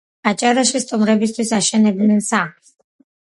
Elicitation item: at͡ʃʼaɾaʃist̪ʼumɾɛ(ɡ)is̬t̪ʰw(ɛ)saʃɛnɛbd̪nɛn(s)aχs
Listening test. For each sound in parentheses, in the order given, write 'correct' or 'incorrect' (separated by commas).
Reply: incorrect, incorrect, correct